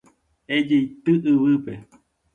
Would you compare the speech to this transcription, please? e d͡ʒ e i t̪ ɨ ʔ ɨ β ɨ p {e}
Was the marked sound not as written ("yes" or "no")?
no